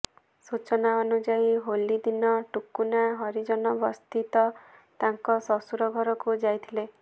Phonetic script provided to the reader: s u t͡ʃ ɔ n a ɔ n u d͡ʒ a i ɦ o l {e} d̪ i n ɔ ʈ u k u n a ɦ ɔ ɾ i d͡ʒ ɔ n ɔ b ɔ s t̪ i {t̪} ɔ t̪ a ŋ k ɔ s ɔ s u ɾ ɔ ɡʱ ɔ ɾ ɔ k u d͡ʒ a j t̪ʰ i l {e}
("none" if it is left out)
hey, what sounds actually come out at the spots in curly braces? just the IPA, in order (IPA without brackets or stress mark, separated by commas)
i, t̪, e